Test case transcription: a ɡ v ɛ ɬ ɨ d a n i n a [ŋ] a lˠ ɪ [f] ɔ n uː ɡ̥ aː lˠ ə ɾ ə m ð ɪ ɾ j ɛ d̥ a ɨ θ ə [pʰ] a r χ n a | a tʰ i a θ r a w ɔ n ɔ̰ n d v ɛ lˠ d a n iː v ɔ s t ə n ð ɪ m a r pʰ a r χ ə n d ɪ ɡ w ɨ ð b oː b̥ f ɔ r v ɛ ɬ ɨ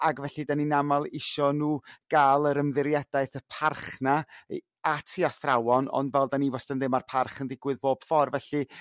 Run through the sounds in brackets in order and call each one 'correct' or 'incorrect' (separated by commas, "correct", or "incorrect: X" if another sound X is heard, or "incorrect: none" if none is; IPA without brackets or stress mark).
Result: incorrect: m, incorrect: ʃ, correct